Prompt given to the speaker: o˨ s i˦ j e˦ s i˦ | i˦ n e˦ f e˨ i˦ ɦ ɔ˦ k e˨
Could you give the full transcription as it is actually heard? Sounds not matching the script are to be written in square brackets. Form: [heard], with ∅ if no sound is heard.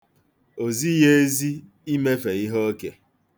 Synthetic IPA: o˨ [z] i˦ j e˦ [z] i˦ | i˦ [m] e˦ f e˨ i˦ ɦ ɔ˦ k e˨